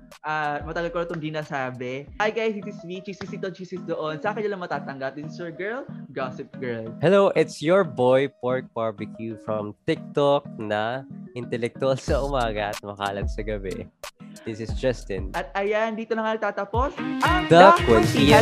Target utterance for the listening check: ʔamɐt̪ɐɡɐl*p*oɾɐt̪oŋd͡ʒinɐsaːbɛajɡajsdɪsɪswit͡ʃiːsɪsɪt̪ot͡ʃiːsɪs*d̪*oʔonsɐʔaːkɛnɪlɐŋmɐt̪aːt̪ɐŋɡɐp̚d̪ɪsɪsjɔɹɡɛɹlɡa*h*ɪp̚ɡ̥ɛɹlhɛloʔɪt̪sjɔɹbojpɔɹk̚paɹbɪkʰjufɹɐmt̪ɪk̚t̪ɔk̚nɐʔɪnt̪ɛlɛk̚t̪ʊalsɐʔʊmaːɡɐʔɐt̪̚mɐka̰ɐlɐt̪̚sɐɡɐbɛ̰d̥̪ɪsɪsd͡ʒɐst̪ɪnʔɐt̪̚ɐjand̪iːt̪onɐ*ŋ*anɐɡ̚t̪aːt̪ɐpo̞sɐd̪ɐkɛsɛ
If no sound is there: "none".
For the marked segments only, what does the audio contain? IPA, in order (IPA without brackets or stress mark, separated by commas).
k, d̪, s, ŋ